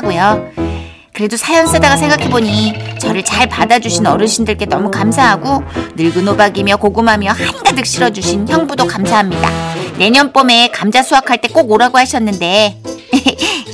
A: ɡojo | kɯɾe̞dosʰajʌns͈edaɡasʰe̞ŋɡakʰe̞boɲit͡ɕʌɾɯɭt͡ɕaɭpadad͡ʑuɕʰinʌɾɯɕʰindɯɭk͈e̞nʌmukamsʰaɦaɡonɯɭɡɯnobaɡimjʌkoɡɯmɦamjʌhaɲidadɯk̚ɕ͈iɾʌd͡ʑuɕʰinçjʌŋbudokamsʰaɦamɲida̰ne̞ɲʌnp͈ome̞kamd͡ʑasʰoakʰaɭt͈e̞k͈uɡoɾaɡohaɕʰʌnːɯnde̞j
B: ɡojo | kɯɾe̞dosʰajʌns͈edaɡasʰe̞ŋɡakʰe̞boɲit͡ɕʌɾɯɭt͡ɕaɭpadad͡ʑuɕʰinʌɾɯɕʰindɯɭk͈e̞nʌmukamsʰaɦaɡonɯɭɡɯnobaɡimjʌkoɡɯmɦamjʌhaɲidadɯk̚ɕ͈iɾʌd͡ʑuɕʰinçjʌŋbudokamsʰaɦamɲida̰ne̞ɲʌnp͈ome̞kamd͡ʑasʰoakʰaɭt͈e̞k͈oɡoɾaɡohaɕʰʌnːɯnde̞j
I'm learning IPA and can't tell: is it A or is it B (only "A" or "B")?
B